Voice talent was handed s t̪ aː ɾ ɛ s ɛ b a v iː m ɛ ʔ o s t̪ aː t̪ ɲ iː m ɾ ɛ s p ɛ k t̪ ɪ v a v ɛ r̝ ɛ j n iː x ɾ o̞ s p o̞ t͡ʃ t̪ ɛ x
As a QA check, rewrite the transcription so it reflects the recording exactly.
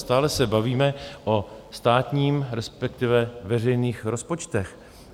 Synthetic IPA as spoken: s t̪ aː l ɛ s ɛ b a v iː m ɛ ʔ o s t̪ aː t̪ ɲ iː m ɾ ɛ s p ɛ k t̪ ɪ v ɛ v ɛ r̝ ɛ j n iː x ɾ o̞ s p o̞ t͡ʃ t̪ ɛ x